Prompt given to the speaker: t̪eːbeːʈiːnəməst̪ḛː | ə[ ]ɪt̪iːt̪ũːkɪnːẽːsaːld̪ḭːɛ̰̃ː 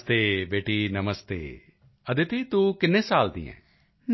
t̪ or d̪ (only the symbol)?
d̪